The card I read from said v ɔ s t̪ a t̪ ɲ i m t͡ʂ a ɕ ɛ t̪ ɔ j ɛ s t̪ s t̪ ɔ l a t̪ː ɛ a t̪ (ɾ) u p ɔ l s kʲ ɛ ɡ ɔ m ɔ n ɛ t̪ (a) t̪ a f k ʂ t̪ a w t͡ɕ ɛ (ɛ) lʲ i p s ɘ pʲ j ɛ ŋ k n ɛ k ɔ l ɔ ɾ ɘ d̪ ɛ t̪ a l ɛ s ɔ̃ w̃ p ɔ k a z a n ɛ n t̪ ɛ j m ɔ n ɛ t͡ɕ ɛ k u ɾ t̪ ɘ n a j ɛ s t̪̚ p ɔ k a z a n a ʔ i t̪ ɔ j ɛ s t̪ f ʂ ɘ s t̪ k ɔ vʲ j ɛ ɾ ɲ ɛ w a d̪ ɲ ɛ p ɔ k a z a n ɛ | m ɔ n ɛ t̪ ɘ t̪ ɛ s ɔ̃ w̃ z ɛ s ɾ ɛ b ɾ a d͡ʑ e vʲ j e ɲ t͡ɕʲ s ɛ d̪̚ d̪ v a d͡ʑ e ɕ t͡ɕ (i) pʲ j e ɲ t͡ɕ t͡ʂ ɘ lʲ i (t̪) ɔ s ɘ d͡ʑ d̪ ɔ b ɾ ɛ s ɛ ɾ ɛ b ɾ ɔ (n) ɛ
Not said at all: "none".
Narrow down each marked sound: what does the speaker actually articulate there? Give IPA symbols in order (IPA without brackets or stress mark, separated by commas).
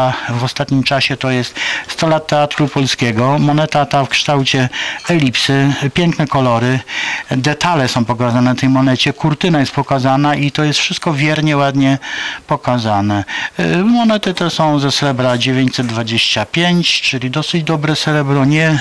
ɾ, a, ɛ, a, d̪, ɲ